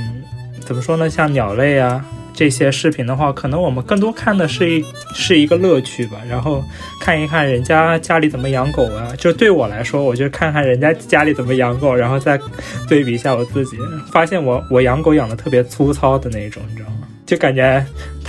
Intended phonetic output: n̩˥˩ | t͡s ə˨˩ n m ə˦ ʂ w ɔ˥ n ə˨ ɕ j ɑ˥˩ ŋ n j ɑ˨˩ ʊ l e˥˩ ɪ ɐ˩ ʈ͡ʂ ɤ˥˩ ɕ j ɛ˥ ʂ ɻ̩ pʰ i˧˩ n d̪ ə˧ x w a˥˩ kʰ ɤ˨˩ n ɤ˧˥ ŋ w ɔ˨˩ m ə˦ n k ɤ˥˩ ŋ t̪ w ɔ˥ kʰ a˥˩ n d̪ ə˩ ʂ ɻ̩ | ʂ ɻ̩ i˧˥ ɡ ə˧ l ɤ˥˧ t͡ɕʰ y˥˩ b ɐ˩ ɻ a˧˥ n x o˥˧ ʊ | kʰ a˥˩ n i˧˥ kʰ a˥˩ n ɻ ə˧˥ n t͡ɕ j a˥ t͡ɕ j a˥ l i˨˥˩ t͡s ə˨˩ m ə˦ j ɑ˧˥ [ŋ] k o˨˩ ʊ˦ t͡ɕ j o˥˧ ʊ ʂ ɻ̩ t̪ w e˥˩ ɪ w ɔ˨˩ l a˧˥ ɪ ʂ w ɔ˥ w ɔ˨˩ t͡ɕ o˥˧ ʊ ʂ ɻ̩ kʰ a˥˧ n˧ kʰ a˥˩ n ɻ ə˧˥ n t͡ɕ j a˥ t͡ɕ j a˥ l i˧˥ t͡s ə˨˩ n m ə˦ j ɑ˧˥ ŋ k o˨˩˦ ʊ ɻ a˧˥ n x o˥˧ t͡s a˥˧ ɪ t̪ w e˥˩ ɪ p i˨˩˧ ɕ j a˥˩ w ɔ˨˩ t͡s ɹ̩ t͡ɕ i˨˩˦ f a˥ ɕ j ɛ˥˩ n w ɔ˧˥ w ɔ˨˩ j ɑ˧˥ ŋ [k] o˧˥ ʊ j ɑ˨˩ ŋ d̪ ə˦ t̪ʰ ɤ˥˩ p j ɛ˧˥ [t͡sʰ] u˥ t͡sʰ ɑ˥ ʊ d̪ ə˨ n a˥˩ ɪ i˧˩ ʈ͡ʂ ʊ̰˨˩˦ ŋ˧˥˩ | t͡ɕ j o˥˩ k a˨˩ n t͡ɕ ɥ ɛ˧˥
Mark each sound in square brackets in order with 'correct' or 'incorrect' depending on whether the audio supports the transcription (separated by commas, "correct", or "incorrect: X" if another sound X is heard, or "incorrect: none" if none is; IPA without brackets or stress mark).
correct, correct, correct